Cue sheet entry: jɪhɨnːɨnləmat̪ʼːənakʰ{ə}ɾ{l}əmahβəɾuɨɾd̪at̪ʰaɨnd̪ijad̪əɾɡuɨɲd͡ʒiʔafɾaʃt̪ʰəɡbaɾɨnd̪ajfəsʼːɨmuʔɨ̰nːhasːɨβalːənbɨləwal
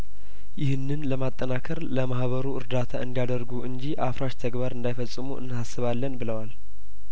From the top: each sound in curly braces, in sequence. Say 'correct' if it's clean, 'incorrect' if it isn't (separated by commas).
correct, correct